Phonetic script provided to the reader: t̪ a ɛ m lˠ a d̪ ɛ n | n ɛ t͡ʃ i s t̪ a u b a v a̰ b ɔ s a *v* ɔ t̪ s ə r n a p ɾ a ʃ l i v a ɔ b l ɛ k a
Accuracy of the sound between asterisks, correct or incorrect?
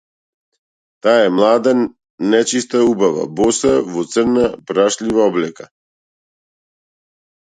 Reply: correct